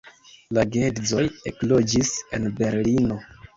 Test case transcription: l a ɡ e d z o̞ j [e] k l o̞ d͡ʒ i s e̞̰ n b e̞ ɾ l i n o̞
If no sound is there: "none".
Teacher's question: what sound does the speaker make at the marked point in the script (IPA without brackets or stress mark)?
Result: e